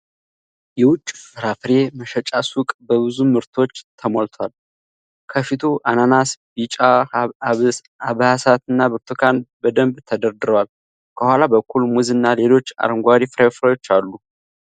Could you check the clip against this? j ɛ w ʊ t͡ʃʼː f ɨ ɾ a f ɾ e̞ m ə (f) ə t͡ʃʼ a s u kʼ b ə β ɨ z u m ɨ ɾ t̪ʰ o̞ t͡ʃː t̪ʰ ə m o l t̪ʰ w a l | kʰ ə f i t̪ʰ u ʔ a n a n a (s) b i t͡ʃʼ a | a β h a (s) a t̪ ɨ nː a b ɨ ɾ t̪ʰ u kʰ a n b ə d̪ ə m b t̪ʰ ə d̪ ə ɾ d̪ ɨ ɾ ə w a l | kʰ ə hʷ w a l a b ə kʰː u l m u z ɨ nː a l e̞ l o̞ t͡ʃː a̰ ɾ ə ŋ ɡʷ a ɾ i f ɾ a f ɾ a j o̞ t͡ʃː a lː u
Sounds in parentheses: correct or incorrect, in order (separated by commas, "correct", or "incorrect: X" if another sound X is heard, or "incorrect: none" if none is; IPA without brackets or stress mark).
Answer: incorrect: ʃ, correct, correct